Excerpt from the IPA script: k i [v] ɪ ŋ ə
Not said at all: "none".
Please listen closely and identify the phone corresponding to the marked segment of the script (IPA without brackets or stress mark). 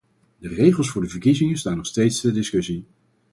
z